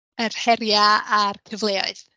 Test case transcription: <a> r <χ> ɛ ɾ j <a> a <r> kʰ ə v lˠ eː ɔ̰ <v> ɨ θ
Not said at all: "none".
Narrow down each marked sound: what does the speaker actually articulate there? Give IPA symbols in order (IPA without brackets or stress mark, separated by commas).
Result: ə, h, a, r, none